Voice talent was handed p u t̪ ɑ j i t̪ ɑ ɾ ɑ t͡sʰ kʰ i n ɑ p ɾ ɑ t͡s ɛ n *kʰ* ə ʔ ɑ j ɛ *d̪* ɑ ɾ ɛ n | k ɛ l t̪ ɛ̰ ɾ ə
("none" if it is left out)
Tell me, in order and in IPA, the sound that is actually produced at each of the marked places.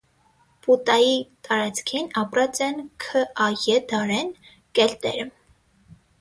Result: kʰ, d̪

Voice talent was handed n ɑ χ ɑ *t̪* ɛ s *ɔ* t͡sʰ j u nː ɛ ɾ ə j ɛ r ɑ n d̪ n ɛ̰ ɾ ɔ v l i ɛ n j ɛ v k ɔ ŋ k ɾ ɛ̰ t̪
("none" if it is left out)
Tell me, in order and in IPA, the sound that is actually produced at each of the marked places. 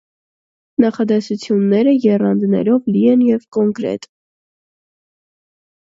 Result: d̪, u

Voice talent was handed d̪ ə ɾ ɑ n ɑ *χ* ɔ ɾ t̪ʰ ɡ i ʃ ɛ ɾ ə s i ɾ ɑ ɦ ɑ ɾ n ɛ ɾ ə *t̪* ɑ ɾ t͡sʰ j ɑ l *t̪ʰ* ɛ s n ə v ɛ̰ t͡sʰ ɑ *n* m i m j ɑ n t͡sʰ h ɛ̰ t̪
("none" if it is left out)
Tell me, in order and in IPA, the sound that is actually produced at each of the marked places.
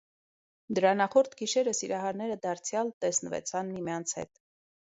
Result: χ, d̪, t̪, n

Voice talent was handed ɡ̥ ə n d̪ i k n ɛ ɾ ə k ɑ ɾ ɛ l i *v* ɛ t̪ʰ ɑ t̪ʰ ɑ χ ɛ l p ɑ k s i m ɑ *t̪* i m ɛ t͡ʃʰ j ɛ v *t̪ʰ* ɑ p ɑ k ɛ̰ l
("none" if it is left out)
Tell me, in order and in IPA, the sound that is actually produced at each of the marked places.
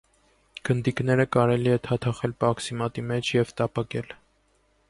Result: none, t̪, t̪

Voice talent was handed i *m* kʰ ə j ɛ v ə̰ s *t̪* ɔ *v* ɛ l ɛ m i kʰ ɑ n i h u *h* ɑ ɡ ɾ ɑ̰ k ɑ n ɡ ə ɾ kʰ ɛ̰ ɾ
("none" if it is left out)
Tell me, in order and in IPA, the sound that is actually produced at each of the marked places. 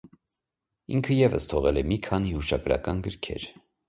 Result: ŋ, t̪ʰ, ʁ, ʃ

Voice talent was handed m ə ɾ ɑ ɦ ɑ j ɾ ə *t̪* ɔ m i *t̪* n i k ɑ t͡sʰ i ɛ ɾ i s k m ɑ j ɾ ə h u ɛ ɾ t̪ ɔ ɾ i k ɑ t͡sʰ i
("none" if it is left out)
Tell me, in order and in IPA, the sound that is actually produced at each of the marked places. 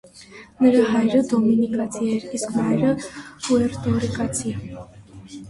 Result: d̪, none

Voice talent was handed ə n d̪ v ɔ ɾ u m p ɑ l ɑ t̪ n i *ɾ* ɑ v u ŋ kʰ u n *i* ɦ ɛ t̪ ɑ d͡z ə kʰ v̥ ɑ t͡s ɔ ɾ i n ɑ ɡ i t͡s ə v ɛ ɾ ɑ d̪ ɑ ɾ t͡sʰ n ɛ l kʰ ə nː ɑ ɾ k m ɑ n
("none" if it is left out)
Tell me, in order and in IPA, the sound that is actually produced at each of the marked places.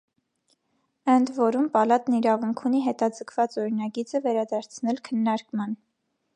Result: ɾ, i

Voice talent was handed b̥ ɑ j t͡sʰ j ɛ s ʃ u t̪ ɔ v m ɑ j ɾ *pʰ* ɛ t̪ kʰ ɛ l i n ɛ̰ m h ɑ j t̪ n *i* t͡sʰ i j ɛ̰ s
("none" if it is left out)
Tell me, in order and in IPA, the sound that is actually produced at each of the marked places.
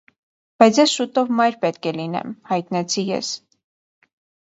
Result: p, ɛ

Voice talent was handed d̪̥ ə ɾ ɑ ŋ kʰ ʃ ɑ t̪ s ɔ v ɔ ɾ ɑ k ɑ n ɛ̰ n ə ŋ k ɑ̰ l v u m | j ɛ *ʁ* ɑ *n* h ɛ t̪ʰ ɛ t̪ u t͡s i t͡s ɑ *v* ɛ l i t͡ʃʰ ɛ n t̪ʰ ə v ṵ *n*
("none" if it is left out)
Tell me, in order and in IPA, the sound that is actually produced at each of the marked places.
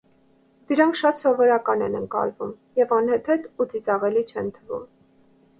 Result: v, n, ʁ, m

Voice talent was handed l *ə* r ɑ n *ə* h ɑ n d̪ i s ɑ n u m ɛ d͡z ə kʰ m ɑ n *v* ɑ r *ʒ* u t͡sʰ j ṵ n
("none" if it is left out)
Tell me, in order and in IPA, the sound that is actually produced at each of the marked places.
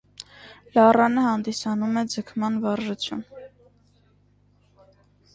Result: ɑ, ə, v, ʒ

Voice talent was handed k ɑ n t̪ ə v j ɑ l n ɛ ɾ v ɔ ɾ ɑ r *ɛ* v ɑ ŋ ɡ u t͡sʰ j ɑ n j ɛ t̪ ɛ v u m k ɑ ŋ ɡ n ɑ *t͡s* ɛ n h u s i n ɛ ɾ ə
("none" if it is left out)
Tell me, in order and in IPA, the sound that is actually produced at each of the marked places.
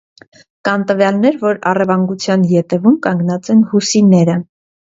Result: ɛ, t͡s

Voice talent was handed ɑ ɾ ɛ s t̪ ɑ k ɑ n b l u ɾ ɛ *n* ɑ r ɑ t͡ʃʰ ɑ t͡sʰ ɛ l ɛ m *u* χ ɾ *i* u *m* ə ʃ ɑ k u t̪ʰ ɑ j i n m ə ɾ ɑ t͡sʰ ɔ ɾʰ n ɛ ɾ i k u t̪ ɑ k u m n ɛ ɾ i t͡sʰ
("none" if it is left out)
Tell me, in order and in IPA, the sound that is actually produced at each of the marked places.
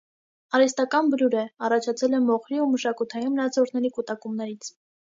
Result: none, ɔ, i, m

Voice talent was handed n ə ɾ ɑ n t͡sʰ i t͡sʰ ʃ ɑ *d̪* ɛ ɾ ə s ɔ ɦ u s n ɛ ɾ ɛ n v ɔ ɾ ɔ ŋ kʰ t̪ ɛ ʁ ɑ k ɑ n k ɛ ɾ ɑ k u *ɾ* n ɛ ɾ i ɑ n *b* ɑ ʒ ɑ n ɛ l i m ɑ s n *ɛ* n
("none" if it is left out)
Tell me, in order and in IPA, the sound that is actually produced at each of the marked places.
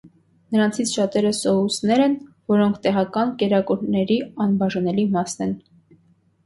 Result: t̪, ɾ, b, ɛ

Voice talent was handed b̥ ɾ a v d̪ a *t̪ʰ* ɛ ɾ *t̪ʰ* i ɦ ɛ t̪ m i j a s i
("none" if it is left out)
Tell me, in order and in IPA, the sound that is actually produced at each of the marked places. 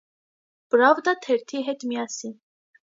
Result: t̪ʰ, t̪ʰ

